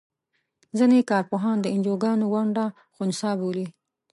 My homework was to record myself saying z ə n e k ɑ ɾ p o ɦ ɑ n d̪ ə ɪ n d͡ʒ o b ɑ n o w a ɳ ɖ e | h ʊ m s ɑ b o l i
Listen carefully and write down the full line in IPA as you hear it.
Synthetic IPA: z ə n e k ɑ ɾ p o ɦ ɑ n d̪ ə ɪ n d͡ʒ o ɡ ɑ n o w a ɳ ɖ a | x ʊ n s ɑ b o l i